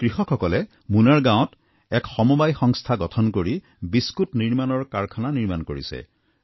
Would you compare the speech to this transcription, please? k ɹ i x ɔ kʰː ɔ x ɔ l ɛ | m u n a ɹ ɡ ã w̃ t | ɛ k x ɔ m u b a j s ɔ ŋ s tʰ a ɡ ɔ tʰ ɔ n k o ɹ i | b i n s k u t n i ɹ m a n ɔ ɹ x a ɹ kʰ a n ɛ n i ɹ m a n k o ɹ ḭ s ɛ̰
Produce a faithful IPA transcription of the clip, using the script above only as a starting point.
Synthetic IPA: k ɹ i x ɔ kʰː ɔ k ɔ l ɛ | m u n a ɹ ɡ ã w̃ t | ɛ k x ɔ m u b a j x ɔ ŋ s tʰ a ɡ ɔ tʰ ɔ n k o ɹ i | b i s k u t n i ɹ m a n ɔ ɹ k a ɹ kʰ a n a n i ɹ m a n k o ɹ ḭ s ɛ̰